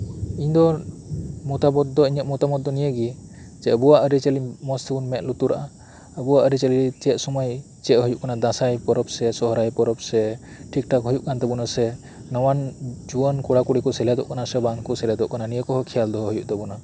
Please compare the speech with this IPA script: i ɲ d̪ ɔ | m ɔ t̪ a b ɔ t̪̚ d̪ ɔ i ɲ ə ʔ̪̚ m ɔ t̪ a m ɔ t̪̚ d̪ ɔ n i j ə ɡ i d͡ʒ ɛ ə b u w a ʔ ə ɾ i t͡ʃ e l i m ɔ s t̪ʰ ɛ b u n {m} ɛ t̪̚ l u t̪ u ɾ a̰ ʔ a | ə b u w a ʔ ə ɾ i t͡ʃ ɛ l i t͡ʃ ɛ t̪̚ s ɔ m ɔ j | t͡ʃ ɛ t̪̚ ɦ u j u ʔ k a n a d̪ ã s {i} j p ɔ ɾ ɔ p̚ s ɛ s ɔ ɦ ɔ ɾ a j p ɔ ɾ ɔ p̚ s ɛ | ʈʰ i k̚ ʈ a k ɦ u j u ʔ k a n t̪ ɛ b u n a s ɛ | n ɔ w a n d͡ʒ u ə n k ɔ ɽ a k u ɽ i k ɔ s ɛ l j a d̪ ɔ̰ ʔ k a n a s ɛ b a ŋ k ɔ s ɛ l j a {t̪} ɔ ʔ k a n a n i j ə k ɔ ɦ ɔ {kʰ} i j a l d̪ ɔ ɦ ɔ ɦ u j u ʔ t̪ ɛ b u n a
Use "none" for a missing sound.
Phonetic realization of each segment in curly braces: m, a, d̪, kʰ

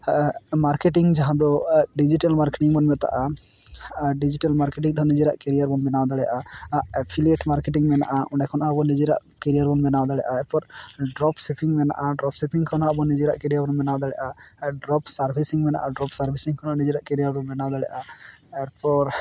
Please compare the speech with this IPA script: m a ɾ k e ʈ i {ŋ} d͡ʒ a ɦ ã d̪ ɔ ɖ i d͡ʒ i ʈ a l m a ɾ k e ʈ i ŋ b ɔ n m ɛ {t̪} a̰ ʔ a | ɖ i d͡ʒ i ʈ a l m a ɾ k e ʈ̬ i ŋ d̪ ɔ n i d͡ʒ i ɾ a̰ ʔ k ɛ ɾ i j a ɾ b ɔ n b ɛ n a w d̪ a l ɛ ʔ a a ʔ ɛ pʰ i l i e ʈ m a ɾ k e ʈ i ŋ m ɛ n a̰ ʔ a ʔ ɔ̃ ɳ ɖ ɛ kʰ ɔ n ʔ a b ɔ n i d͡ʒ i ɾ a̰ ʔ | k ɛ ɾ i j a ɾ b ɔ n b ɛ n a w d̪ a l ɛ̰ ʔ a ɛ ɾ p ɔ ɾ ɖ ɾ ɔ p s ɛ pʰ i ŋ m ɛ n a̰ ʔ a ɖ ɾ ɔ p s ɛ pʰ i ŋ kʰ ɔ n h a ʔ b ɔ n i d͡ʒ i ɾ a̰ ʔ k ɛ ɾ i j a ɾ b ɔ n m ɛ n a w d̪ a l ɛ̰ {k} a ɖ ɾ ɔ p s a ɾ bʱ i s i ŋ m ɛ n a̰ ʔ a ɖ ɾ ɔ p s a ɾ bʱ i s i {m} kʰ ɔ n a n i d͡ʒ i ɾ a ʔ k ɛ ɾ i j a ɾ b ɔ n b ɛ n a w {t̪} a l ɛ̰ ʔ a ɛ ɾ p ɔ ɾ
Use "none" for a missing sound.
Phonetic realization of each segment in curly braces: ŋ, t̪, ʔ, ŋ, d̪

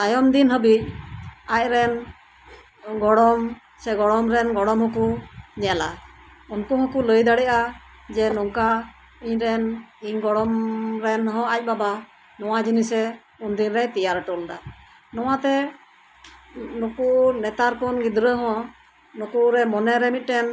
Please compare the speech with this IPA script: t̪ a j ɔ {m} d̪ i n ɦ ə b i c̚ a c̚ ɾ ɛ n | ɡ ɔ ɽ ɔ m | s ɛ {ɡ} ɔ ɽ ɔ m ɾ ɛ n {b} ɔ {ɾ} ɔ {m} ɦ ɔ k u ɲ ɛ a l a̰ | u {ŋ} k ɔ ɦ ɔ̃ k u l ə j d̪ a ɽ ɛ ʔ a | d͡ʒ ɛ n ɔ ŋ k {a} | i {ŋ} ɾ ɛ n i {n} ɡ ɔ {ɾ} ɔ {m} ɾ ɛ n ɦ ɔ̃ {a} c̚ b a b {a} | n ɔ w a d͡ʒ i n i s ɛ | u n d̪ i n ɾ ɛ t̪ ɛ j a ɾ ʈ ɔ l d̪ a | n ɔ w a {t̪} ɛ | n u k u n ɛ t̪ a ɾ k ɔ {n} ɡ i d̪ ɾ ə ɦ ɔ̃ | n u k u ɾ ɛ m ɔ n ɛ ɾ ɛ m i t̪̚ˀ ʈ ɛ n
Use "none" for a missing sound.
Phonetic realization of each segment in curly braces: m, ɡ, ɡ, ɽ, m, n, a, ɲ, ɲ, ɽ, m, a, a, t̪, n

